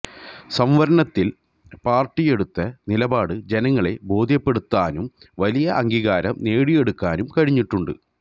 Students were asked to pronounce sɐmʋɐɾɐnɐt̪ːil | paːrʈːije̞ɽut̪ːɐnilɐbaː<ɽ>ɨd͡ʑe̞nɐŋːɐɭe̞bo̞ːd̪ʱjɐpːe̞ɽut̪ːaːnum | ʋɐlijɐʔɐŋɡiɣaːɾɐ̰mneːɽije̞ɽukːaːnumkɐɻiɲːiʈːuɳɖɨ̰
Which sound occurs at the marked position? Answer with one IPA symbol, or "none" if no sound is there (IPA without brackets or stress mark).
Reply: ɽ